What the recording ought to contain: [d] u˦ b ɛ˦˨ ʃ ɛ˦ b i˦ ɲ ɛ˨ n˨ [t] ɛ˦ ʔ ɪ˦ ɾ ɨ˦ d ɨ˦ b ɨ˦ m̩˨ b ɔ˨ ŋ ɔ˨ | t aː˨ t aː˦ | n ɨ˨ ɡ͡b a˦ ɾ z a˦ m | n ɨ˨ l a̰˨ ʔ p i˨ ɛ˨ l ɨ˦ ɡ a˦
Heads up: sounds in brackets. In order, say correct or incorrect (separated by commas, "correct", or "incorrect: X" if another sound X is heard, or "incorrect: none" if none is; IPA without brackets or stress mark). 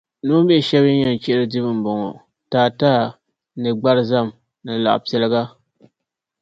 incorrect: n, incorrect: t͡ʃ